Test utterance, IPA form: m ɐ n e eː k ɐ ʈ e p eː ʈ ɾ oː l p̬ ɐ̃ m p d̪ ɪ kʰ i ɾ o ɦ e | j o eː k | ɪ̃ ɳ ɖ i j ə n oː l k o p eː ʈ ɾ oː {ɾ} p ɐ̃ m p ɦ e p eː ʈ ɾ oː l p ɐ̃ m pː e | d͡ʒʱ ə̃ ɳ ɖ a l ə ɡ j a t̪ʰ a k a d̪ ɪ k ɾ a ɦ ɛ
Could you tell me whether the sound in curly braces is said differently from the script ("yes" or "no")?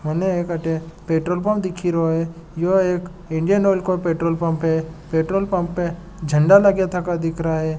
yes